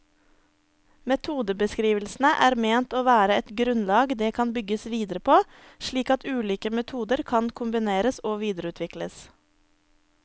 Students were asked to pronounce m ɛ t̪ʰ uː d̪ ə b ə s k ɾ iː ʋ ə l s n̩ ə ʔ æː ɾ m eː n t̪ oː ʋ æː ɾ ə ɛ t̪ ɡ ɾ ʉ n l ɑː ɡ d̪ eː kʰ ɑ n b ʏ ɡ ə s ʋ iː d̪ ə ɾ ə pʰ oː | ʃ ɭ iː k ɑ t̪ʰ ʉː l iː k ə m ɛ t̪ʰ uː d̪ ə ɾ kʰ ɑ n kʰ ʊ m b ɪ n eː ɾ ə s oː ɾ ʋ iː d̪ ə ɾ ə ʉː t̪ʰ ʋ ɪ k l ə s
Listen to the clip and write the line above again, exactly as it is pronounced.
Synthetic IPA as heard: m ɛ t̪ʰ uː d̪ ə b ə s k ɾ iː ʋ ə l s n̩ ə ʔ æː ɾ m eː n t̪ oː ʋ æː ɾ ə ɛ t̪ ɡ ɾ ʉ n l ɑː ɡ d̪ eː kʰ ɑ n b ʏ ɡ ə s ʋ iː d̪ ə ɾ ə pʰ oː | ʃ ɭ iː k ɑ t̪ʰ ʉː l iː k ə m ɛ t̪ʰ uː d̪ ə ɾ kʰ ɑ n kʰ ʊ m b ɪ n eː ɾ ə s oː ʋ iː d̪ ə ɾ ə ʉː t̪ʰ ʋ ɪ k l ə s